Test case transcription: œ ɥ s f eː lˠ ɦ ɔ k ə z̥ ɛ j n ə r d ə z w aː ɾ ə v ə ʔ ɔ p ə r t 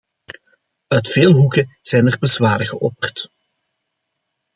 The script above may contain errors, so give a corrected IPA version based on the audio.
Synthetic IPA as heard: œ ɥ t f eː lˠ ɦ u k ə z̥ ɛ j n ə r b ə z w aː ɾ ə ɣ ə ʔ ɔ p ə r t